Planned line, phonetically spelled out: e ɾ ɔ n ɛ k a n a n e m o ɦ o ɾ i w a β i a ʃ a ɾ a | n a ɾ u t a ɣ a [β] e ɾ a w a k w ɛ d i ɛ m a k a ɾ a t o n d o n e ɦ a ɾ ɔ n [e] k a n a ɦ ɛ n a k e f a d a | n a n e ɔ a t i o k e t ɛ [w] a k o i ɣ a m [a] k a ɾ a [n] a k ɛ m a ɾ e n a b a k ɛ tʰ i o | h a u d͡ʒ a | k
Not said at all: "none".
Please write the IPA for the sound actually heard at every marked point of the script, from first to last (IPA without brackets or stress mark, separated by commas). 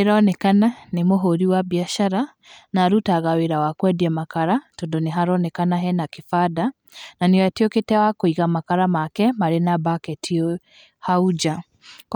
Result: w, ɛ, w, a, m